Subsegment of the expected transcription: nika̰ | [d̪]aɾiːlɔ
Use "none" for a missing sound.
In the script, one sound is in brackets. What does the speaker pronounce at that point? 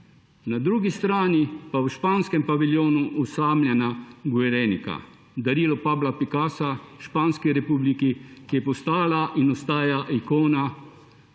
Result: d̪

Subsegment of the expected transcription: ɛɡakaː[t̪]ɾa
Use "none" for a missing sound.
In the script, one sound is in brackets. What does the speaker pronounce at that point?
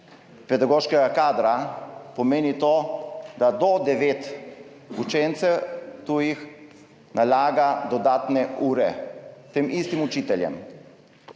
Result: d̪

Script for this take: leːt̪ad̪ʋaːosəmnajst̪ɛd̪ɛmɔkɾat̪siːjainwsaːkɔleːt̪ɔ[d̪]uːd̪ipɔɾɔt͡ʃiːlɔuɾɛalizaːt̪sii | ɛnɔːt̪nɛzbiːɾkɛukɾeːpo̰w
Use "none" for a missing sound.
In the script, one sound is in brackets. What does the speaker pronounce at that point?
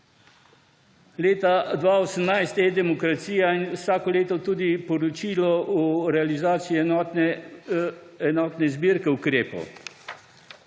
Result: t̪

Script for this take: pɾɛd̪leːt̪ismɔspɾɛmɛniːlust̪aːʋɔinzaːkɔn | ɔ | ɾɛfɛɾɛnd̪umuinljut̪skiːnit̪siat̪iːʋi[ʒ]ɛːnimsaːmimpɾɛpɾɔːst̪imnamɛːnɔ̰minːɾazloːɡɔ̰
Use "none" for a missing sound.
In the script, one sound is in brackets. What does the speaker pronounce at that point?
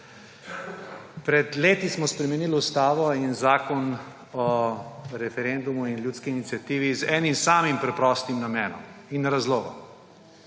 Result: z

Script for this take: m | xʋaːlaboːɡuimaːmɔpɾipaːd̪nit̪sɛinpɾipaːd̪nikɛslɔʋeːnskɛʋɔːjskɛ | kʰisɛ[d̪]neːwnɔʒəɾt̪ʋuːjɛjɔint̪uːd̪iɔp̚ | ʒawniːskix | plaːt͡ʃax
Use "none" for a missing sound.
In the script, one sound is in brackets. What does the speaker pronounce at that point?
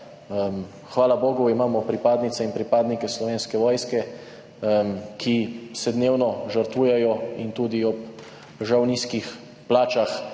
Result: d̪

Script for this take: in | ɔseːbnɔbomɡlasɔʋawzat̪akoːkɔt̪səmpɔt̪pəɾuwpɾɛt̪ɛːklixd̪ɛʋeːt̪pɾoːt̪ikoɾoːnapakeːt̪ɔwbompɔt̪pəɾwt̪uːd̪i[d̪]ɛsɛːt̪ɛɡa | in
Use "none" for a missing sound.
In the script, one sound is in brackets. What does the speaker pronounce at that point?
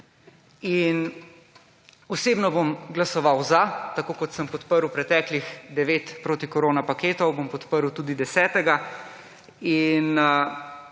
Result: d̪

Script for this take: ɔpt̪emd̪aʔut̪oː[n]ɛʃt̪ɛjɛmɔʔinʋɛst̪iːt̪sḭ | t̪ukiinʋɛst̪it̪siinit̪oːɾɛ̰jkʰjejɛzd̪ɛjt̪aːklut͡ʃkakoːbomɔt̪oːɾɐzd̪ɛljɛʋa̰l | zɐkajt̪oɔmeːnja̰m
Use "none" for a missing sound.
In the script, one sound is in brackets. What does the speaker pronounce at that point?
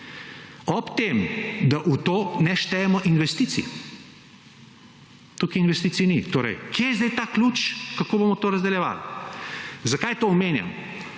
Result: n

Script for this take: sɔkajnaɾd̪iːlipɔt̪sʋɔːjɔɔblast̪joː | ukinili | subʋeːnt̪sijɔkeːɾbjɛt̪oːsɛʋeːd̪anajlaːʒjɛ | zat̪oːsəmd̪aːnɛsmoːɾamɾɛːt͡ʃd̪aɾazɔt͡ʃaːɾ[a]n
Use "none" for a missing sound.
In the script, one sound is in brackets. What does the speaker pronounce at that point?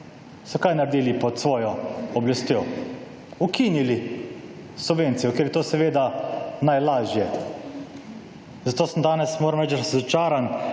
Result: a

